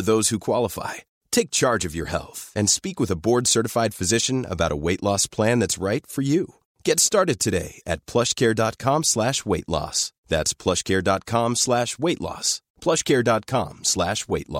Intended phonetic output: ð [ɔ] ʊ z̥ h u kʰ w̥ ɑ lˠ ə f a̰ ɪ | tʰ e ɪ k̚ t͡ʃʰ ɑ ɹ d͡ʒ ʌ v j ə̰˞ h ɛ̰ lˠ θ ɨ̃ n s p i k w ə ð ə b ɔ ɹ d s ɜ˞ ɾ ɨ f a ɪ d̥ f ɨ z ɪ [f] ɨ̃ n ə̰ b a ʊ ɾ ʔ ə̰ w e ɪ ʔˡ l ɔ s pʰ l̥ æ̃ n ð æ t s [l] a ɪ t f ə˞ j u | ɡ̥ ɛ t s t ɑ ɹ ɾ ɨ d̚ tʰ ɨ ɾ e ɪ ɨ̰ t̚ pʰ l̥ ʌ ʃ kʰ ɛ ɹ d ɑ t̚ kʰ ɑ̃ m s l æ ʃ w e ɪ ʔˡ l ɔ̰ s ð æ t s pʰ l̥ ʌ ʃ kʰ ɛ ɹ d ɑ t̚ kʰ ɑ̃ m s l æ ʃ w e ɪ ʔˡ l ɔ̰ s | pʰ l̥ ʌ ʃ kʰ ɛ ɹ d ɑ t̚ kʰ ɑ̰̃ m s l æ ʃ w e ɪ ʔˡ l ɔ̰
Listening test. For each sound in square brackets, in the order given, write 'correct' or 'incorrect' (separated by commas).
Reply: incorrect, incorrect, incorrect